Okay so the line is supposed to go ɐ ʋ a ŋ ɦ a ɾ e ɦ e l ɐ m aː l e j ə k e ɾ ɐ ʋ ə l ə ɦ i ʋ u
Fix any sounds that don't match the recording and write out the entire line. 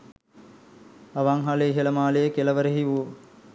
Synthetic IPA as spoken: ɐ ʋ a ŋ ɦ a l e ɦ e l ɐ m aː l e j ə k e l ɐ ʋ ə ɾ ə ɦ i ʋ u